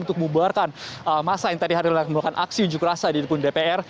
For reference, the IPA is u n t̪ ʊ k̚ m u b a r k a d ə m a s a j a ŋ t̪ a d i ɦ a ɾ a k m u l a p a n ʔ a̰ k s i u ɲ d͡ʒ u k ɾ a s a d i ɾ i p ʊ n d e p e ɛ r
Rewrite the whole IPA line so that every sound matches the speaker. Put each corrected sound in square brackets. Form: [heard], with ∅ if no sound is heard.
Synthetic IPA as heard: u n t̪ ʊ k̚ m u b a r k a [n] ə m a s a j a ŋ t̪ a d i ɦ a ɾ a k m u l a [k] a n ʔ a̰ k s i u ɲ d͡ʒ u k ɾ a s a d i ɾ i p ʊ n d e p e ɛ r